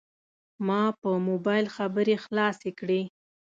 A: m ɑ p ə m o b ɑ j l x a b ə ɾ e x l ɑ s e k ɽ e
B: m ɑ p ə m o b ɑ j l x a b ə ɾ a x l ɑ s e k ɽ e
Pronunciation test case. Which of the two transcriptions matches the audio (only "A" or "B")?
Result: A